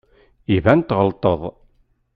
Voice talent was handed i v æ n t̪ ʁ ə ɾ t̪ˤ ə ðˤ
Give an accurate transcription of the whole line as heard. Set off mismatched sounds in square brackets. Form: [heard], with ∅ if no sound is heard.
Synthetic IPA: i v æ n t̪ ʁ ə [l] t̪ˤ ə ðˤ